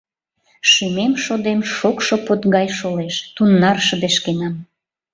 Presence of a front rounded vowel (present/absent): absent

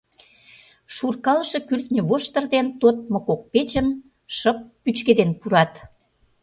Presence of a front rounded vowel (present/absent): present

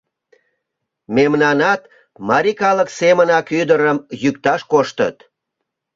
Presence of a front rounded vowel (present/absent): present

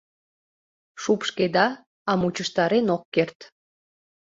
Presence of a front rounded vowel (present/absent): absent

